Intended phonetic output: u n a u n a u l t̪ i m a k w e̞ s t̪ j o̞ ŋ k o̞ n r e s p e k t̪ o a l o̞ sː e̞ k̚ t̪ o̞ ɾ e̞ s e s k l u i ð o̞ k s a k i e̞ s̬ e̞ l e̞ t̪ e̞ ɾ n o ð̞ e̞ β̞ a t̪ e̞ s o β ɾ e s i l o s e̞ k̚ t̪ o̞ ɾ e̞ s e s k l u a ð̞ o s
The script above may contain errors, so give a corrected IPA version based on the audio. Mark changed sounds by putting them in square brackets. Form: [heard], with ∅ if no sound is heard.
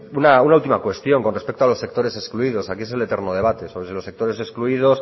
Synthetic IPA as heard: u n a u n a u l t̪ i m a k w e̞ s t̪ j o̞ ŋ k o̞ n r e s p e k t̪ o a l o̞ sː e̞ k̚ t̪ o̞ ɾ e̞ s e s k l u i ð o̞ [∅] s a k i e̞ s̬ e̞ l e̞ t̪ e̞ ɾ n o ð̞ e̞ β̞ a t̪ e̞ s o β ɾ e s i l o s e̞ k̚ t̪ o̞ ɾ e̞ s e s k l u [i] ð̞ o s